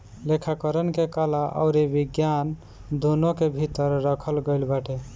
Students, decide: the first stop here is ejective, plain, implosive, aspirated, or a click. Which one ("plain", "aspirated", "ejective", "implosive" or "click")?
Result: aspirated